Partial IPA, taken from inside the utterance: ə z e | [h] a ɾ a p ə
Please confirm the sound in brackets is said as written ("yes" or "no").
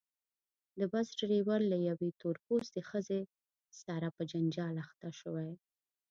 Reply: no